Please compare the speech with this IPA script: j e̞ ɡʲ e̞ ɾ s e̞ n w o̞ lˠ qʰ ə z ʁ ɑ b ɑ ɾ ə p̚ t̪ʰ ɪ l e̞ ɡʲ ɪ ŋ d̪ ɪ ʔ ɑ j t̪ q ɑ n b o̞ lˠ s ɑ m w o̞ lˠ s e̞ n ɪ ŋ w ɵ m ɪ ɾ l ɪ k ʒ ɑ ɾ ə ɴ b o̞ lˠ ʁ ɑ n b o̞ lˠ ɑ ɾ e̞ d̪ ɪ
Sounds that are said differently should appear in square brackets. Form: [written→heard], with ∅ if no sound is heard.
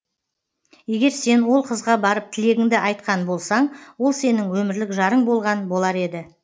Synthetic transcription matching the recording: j e̞ ɡʲ e̞ ɾ s e̞ n w o̞ lˠ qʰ ə z ʁ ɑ b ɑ ɾ ə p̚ t̪ʰ ɪ l e̞ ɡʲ ɪ ŋ d̪ ɪ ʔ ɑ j t̪ q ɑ n b o̞ lˠ s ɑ [m→ɴ] w o̞ lˠ s e̞ n ɪ ŋ w ɵ m ɪ ɾ l ɪ k ʒ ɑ ɾ ə ɴ b o̞ lˠ ʁ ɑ n b o̞ lˠ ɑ ɾ e̞ d̪ ɪ